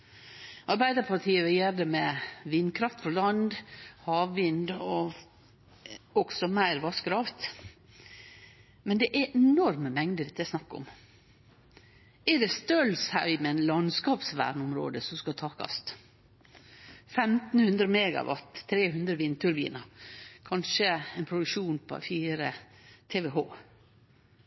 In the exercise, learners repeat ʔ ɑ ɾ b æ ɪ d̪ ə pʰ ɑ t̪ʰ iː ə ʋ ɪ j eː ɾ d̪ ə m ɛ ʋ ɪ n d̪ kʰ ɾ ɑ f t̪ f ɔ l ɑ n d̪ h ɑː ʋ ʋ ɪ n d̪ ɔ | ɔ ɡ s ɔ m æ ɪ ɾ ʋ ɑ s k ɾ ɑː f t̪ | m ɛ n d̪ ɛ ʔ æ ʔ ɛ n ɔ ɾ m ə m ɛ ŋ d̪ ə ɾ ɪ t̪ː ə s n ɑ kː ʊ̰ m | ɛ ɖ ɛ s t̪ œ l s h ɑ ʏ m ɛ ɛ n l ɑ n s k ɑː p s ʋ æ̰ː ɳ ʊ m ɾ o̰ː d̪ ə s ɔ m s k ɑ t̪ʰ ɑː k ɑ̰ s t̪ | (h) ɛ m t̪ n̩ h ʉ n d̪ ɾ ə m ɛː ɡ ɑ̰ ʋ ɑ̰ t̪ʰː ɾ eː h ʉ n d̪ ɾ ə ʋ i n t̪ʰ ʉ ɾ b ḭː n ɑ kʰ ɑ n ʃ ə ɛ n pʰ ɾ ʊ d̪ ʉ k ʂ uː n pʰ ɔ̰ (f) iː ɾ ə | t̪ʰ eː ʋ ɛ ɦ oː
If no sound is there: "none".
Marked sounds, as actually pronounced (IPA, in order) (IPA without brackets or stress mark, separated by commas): f, f